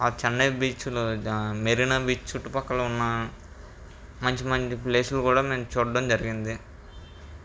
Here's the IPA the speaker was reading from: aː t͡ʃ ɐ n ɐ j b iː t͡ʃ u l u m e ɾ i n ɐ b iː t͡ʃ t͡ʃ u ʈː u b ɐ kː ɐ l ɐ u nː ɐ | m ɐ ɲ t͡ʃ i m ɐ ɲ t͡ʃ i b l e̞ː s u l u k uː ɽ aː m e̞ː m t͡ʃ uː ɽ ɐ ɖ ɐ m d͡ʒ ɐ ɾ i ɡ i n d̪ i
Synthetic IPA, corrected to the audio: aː t͡ʃ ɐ nː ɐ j b iː t͡ʃ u l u m e ɾ i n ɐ b iː t͡ʃ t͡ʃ u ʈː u p ɐ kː ɐ l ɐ u nː ɐ | m ɐ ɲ t͡ʃ i m ɐ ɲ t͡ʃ i p l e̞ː s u l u k uː ɽ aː m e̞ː m t͡ʃ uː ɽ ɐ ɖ ɐ m d͡ʒ ɐ ɾ i ɡ i n d̪ i